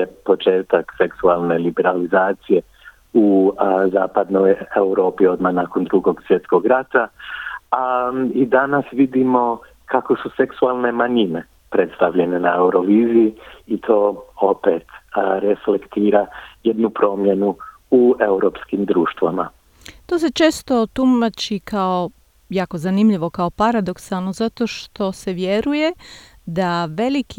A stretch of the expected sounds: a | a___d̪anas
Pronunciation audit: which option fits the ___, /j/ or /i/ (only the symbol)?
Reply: i